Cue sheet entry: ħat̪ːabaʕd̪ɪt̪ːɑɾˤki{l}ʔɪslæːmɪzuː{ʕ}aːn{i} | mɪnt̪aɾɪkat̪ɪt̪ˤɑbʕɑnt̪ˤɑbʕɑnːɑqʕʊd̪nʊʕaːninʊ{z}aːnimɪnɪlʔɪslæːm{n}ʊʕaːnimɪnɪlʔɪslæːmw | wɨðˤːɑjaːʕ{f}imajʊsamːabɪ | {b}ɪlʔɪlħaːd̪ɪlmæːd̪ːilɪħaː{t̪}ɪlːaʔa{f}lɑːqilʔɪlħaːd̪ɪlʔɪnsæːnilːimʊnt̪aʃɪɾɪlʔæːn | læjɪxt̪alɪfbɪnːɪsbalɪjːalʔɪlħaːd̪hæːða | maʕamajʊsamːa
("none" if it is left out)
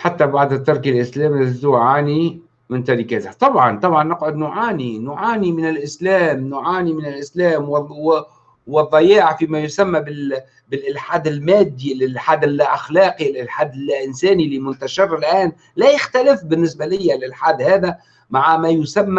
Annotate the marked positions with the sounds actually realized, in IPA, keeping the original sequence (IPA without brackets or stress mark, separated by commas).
l, ʕ, i, ʕ, n, f, b, d̪, x